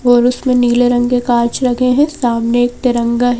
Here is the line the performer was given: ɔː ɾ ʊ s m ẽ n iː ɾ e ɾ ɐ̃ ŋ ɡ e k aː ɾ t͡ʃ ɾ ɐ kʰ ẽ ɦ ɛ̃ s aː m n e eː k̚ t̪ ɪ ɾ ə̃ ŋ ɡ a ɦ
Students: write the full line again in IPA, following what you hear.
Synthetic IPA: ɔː ɾ ʊ s m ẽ n iː l e ɾ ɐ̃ ŋ ɡ e k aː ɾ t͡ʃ ɾ ɐ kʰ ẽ ɦ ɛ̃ s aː m n e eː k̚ t̪ ɪ ɾ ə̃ ŋ ɡ a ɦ